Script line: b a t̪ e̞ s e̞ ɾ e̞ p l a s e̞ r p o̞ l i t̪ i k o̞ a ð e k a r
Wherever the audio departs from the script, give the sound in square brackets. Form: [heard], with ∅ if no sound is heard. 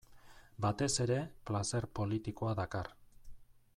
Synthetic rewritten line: b a t̪ e̞ s e̞ ɾ e̞ p l a s e̞ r p o̞ l i t̪ i k o̞ a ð [a] k a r

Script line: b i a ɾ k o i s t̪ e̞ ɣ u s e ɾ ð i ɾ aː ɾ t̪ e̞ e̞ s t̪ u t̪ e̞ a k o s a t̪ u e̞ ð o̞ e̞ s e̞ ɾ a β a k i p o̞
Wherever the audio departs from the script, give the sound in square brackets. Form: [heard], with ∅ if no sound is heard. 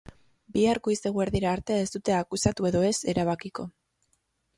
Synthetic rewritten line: b i a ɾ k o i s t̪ e̞ ɣ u [∅] e ɾ ð i ɾ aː ɾ t̪ e̞ e̞ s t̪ u t̪ e̞ a k [u] s a t̪ u e̞ ð o̞ e̞ s e̞ ɾ a β a k i [k] o̞

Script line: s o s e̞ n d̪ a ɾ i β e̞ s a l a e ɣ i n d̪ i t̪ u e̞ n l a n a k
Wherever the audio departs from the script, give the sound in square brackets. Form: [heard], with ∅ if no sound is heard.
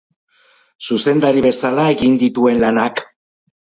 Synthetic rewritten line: s [u] s e̞ n d̪ a ɾ i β e̞ s a l a e ɣ i n d̪ i t̪ u e̞ n l a n a k

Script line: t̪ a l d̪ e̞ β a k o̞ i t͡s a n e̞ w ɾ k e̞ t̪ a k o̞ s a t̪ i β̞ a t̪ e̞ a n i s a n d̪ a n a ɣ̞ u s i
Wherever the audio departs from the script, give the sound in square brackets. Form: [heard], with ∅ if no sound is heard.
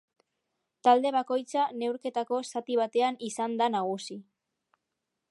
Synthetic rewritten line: t̪ a l d̪ e̞ β a k o̞ [j] t͡s a n e̞ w ɾ k e̞ t̪ a k o̞ s a t̪ i β̞ a t̪ e̞ a n i s a n d̪ a n a ɣ̞ u s i

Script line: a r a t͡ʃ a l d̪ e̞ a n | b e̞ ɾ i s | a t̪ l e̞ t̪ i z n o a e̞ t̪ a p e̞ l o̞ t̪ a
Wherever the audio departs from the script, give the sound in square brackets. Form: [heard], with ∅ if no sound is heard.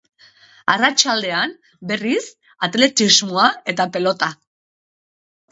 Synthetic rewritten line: a r a t͡ʃ a l d̪ e̞ a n | b e̞ [r] i s | a t̪ l e̞ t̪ i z [m] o a e̞ t̪ a p e̞ l o̞ t̪ a

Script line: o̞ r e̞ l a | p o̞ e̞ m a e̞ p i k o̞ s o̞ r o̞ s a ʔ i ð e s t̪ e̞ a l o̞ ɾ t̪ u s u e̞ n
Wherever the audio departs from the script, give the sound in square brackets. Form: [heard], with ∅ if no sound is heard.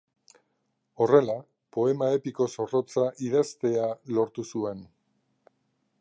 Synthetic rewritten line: o̞ r e̞ l a | p o̞ e̞ m a e̞ p i k o̞ s o̞ r o̞ [t͡s] a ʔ i ð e s t̪ e̞ a l o̞ ɾ t̪ u s u e̞ n

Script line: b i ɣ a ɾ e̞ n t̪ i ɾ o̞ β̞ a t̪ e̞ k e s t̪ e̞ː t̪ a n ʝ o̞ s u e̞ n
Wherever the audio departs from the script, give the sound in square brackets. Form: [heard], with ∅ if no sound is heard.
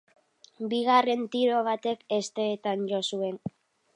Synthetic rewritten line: b i ɣ a [r] e̞ n t̪ i ɾ o̞ β̞ a t̪ e̞ k e s t̪ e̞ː t̪ a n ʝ o̞ s u e̞ n

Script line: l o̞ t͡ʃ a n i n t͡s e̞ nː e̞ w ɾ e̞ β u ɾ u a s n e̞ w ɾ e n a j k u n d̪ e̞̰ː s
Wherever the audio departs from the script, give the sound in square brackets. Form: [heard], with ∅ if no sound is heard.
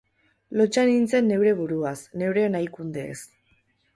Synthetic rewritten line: l o̞ t͡ʃ a n i n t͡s e̞ nː e̞ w ɾ e̞ β u ɾ u a s n e̞ w ɾ e n a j k u n d̪ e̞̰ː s

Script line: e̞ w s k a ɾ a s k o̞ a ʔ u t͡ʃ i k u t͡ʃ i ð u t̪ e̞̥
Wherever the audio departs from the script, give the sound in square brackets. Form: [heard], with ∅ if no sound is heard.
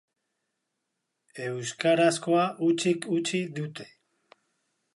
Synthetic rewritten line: e̞ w s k a ɾ a s k o̞ a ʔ u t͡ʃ i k u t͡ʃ i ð u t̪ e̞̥

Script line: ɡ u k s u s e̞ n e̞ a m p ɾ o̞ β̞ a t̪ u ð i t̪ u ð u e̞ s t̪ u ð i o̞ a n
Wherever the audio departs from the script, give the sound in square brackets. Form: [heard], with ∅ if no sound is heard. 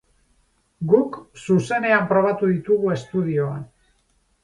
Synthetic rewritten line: ɡ u k s u s e̞ n e̞ a m p ɾ o̞ β̞ a t̪ u ð i t̪ u [ɣ] u e̞ s t̪ u ð i o̞ a n

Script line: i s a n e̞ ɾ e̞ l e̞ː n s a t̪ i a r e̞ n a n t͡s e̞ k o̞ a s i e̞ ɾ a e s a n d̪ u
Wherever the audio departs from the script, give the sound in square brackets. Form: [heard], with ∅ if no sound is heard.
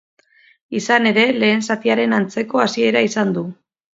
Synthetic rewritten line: i s a n e̞ ɾ e̞ l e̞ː n s a t̪ i a [ɾ] e̞ n a n t͡s e̞ k o̞ a s i e̞ ɾ a [i] s a n d̪ u

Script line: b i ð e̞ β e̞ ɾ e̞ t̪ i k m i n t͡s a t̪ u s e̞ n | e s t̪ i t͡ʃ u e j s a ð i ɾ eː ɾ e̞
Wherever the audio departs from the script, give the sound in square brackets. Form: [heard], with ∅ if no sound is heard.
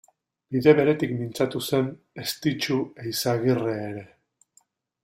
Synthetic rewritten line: b i ð e̞ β e̞ ɾ e̞ t̪ i k m i n t͡s a t̪ u s e̞ n | e s t̪ i t͡ʃ u e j s a [ɣ] i [r] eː ɾ e̞

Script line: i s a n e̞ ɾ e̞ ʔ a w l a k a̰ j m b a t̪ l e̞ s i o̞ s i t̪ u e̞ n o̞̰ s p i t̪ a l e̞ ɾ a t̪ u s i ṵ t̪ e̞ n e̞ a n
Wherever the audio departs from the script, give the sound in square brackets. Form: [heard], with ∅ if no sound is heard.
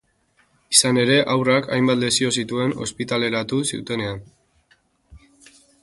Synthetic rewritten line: i s a n e̞ ɾ e̞ ʔ a w [r] a k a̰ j m b a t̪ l e̞ s i o̞ s i t̪ u e̞ n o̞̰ s p i t̪ a l e̞ ɾ a t̪ u s i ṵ t̪ e̞ n e̞ a n

